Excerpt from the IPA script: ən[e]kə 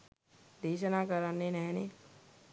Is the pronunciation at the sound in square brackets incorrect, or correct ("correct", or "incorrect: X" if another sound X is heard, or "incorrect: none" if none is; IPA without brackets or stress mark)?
incorrect: a